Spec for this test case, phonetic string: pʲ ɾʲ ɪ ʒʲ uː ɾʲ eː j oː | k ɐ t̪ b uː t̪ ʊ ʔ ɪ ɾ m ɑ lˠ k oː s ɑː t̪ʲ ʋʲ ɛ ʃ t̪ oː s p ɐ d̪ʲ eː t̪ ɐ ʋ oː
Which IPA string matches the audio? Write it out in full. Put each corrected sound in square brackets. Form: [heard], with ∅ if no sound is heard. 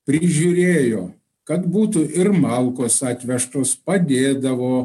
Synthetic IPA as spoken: pʲ ɾʲ ɪ ʒʲ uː ɾʲ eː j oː | k ɐ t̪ b uː t̪ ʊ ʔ ɪ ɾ m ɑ lˠ k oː s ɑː t̪ʲ ʋʲ ɛ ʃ t̪ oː s p ɐ d̪ʲ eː [d̪] ɐ ʋ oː